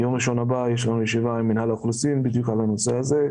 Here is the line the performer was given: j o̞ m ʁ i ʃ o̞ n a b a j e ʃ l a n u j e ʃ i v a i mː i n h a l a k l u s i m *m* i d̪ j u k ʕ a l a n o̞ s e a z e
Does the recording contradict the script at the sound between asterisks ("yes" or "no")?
yes